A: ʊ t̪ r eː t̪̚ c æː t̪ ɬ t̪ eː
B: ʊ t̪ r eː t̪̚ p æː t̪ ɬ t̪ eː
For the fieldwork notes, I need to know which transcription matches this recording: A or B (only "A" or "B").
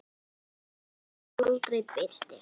B